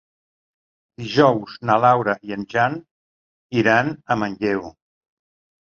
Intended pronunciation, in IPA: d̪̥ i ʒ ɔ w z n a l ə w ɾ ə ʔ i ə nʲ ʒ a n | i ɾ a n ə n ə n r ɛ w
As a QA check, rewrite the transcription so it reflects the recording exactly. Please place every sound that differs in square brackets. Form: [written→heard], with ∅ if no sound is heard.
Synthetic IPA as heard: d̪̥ i ʒ ɔ w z n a l [ə→a] w ɾ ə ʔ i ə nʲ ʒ a n | i ɾ a n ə [n→m] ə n [r→ʎ] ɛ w

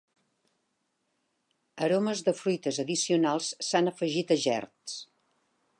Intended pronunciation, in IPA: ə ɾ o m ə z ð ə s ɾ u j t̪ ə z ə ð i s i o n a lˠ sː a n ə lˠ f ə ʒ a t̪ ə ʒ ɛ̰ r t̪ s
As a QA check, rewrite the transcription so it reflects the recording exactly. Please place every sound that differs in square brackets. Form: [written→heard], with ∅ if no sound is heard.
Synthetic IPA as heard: ə ɾ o m ə z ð ə [s→f] ɾ u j t̪ ə z ə ð i s i [o→u] n a lˠ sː a n ə [lˠ→∅] f ə ʒ [a→i] t̪ ə ʒ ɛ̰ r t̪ s

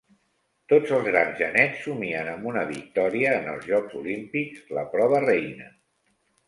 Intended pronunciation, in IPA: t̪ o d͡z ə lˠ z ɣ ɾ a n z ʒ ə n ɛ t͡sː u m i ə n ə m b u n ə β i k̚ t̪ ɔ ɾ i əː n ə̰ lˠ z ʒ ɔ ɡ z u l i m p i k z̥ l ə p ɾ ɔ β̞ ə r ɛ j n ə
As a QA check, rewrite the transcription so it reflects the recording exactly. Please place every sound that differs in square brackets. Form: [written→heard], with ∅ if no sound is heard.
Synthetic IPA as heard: t̪ o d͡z ə lˠ z ɣ ɾ a n z ʒ ə n ɛ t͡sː u m i ə n ə m b u n ə β i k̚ t̪ ɔ ɾ i əː n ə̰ lˠ z ʒ ɔ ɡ z u l i m p i k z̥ l ə p ɾ ɔ β̞ ə r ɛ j n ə

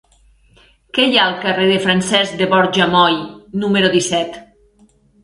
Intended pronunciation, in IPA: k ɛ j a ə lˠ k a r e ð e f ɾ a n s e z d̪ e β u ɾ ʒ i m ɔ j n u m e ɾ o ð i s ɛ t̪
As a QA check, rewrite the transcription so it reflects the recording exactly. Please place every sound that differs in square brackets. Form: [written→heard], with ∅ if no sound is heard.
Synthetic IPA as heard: k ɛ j a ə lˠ k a r e ð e f ɾ a n s [e→ɛ] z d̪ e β [u→ɔ] ɾ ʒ [i→a] m ɔ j n u m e ɾ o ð i s ɛ t̪

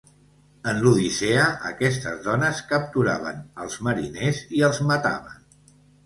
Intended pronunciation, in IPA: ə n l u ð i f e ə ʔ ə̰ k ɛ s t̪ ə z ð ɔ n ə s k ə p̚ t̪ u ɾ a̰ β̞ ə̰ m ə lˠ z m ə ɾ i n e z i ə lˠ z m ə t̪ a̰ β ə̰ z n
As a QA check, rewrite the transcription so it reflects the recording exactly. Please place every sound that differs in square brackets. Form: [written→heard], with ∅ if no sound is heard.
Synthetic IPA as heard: ə n l u ð i [f→s] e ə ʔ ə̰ k ɛ s t̪ ə z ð ɔ n ə s k ə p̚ t̪ u ɾ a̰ β̞ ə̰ [m→n] ə lˠ z m ə ɾ i n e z i ə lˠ z m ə t̪ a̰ β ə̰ [z→∅] n

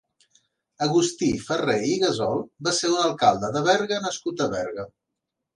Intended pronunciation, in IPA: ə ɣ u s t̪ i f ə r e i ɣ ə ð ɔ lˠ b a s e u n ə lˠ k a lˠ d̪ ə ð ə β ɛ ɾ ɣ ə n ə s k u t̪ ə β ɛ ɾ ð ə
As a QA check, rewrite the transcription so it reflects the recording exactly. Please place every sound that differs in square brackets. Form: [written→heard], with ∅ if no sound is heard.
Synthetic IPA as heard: ə ɣ u s t̪ i f ə r e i ɣ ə [ð→z] ɔ lˠ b a s e u n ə lˠ k a lˠ d̪ ə ð ə β ɛ ɾ ɣ ə n ə s k u t̪ ə β ɛ ɾ [ð→ɣ] ə

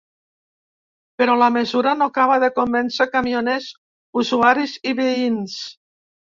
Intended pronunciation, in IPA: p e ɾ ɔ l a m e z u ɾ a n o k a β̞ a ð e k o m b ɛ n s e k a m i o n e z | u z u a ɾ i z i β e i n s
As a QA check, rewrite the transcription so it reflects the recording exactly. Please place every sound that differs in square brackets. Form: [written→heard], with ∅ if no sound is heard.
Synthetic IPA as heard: p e ɾ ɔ l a m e z u ɾ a n o k a β̞ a ð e k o m b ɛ n s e k a m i o n e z | u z u a ɾ i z i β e i n s

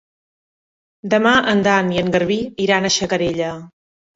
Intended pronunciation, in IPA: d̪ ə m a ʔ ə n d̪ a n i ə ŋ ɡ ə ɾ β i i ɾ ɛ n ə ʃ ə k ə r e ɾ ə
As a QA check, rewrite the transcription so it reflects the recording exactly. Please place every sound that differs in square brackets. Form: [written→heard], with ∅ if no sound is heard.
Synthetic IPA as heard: d̪ ə m a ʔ ə n d̪ a n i ə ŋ ɡ ə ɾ β i i ɾ [ɛ→a] n ə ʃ ə k ə [r→ɾ] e [ɾ→ʎ] ə

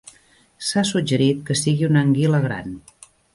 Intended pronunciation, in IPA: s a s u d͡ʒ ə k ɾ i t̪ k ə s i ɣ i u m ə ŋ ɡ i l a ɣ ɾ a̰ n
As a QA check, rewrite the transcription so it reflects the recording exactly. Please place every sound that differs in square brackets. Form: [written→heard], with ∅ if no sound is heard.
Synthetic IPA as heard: s a s u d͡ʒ ə [k→∅] ɾ i t̪ k ə s i ɣ i u [m→n] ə ŋ ɡ i l [a→ə] ɣ ɾ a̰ n

